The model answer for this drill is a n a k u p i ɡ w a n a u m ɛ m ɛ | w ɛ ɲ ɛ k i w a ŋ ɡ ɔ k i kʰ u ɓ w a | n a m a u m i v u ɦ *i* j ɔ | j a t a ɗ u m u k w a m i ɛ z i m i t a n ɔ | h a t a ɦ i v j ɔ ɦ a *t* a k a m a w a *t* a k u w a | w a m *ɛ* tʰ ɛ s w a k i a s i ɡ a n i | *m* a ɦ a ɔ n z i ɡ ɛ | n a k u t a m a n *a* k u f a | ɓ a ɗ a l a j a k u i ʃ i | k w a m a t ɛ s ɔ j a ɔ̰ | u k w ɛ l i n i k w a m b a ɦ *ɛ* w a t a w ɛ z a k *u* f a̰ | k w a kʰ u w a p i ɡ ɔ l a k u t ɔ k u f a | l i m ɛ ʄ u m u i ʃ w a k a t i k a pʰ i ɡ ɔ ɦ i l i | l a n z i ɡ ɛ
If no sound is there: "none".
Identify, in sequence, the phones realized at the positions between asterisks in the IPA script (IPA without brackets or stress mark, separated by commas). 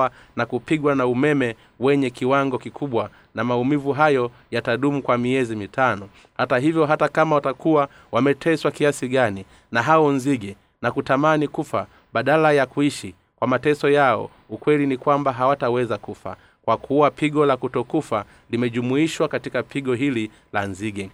a, t, t, ɛ, n, i, a, u